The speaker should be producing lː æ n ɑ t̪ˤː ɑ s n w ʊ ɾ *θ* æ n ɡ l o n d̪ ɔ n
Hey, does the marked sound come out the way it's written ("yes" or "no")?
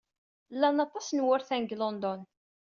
yes